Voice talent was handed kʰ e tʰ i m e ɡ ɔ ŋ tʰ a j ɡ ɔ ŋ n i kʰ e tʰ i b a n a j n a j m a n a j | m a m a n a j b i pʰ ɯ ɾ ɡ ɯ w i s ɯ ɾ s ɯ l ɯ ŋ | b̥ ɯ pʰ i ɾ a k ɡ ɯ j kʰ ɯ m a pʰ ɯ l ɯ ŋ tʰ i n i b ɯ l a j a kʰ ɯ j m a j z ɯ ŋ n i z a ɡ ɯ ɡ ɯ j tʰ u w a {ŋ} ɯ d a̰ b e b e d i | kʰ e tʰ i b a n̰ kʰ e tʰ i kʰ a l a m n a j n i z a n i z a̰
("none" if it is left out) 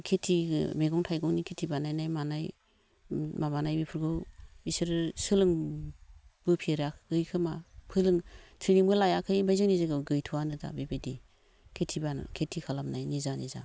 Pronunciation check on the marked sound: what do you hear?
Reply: n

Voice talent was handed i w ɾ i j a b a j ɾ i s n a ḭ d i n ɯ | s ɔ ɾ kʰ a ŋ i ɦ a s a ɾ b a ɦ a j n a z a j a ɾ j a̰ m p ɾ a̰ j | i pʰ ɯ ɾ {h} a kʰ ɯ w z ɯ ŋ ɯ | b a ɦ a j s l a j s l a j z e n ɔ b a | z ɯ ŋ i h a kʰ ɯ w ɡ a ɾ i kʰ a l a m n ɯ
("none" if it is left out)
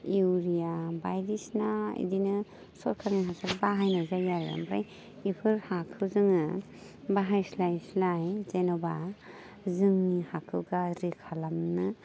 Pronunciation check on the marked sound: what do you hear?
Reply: h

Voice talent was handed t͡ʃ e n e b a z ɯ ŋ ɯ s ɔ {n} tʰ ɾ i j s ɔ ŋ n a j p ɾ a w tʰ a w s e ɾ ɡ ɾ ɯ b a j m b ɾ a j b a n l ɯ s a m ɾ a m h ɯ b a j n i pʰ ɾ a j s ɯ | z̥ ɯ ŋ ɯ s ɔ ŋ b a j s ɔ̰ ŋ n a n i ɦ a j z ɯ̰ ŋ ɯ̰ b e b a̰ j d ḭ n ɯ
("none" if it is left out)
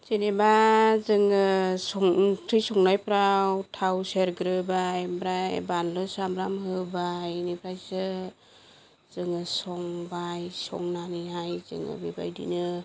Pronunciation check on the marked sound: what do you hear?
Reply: ŋ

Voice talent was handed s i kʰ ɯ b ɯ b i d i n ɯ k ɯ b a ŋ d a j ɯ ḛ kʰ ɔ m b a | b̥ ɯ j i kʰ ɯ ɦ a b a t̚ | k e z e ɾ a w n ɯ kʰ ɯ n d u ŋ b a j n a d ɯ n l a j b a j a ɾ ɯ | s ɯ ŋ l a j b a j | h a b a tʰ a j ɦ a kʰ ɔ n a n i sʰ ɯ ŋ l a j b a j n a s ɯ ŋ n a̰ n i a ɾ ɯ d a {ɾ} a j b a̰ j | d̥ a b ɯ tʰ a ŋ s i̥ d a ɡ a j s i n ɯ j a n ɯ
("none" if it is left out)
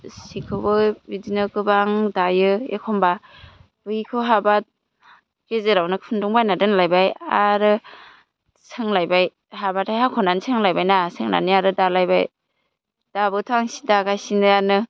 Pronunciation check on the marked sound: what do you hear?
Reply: l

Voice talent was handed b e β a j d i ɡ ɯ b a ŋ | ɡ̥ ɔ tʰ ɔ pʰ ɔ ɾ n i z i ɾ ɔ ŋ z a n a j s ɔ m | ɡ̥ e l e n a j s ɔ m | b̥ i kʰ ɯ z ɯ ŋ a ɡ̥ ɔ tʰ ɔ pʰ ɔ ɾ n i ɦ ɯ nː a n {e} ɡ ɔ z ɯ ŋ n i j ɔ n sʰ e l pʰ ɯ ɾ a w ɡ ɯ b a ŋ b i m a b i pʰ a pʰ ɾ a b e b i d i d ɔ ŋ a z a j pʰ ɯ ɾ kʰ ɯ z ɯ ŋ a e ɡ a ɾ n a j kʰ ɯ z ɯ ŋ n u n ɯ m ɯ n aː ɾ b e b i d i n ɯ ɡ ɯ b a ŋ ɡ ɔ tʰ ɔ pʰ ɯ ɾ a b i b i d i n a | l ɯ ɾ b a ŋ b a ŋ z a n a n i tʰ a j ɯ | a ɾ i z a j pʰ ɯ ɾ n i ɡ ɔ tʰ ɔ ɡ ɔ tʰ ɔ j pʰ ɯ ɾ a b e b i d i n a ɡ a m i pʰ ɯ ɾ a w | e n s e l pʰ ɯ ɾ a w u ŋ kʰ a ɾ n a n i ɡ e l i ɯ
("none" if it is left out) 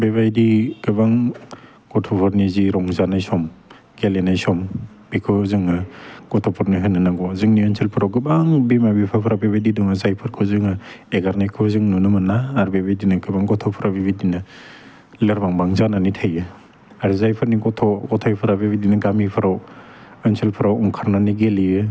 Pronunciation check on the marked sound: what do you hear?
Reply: a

